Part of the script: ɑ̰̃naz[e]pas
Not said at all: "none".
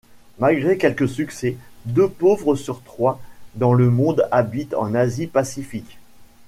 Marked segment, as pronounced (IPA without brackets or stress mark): i